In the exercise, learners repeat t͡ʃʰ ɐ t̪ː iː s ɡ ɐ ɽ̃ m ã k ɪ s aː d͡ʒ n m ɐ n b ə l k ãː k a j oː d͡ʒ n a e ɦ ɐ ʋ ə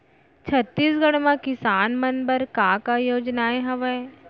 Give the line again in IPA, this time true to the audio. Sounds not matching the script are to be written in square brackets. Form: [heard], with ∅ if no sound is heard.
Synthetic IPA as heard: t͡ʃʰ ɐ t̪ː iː s ɡ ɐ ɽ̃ m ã k ɪ s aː [∅] n m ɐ n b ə [ɾ] k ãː k a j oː d͡ʒ n a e ɦ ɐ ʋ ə